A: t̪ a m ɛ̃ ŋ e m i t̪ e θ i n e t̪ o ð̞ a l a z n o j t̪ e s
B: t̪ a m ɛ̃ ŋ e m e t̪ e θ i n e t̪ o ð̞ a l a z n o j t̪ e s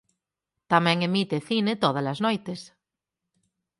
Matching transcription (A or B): A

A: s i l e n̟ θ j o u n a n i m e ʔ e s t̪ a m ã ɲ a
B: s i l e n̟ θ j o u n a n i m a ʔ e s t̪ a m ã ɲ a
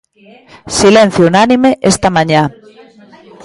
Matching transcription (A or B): A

